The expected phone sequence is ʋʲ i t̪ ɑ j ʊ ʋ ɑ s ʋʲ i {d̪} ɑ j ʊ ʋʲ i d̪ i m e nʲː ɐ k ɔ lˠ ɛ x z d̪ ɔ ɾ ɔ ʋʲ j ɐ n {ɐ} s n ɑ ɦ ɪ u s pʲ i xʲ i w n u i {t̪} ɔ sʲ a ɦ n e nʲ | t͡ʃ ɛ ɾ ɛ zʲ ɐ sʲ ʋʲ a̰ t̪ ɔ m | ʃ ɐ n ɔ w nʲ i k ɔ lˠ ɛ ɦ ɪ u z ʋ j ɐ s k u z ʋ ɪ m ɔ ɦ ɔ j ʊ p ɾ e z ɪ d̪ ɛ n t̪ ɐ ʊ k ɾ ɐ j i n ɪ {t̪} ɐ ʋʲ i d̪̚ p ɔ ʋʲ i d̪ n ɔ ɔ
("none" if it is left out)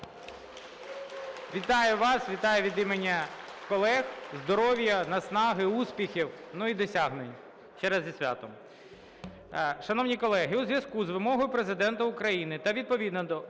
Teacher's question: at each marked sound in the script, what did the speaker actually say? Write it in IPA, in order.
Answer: t̪, ɐ, d̪, t̪

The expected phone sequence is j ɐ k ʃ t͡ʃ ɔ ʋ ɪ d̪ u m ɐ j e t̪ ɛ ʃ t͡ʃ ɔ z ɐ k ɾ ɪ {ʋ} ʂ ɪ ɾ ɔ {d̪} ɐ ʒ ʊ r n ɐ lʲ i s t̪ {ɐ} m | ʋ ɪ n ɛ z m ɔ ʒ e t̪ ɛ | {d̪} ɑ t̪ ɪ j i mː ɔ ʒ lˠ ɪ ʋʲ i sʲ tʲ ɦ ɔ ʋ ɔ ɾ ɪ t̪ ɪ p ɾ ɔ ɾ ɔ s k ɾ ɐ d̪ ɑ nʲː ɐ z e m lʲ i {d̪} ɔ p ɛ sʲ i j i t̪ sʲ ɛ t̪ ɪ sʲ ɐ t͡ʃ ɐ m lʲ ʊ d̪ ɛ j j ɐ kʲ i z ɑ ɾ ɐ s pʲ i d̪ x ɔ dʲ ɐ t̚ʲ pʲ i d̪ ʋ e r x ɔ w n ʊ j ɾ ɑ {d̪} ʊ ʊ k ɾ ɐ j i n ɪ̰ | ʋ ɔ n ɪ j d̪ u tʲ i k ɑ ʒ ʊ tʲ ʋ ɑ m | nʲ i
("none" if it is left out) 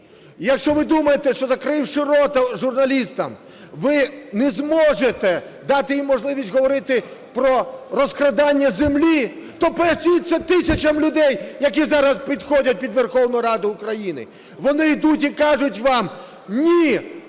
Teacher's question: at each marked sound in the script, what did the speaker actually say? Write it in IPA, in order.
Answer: w, t̪, ɐ, d̪, t̪, d̪

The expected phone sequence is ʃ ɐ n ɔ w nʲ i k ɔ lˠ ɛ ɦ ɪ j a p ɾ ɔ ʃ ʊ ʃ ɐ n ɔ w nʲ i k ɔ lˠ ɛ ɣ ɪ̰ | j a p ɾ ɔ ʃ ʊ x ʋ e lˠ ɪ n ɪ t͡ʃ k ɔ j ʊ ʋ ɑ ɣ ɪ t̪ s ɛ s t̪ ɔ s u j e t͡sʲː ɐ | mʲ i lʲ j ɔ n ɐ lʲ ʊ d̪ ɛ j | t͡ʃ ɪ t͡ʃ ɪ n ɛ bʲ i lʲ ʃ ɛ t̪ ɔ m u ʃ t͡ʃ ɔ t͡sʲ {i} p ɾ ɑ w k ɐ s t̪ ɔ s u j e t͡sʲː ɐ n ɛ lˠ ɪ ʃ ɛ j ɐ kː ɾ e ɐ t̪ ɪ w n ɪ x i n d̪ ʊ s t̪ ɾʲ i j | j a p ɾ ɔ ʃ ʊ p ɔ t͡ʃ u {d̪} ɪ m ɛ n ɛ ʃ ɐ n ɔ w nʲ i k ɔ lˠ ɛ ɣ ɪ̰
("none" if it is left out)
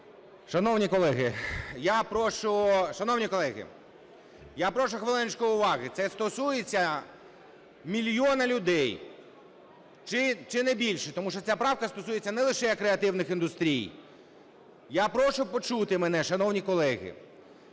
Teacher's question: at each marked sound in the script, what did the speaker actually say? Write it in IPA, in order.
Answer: a, t̪

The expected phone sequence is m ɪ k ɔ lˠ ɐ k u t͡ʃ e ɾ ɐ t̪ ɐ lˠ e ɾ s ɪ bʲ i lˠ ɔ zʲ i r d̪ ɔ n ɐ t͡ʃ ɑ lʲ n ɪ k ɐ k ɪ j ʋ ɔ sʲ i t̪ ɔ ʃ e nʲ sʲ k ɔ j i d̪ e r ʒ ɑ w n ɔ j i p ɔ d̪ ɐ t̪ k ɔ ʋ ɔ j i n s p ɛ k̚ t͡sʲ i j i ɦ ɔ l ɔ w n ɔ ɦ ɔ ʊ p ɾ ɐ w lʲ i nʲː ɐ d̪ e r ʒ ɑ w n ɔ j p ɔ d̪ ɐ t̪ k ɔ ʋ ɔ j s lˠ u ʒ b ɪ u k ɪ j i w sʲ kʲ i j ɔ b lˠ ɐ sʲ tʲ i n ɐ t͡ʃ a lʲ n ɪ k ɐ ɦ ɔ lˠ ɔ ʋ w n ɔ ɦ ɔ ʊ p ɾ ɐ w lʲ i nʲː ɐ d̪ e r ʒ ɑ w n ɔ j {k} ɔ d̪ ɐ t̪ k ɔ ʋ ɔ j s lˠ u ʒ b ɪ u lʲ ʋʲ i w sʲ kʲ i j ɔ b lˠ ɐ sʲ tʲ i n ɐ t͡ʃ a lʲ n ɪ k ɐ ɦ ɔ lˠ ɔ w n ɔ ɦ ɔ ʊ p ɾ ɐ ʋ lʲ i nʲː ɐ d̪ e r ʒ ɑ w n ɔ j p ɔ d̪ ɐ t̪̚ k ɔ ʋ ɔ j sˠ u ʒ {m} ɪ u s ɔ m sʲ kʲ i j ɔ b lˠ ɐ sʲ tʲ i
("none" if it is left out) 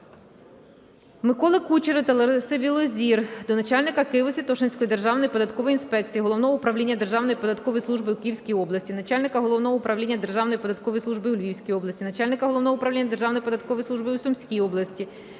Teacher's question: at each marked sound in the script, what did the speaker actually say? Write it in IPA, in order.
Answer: p, b

